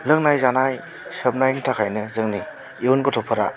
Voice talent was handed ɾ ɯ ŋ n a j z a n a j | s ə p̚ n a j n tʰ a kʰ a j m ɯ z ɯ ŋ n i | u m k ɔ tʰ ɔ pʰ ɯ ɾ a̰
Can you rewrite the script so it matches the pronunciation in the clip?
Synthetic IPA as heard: l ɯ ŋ n a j z a n a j | s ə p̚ n a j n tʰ a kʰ a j n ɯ z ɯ ŋ n i | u n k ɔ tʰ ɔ pʰ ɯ ɾ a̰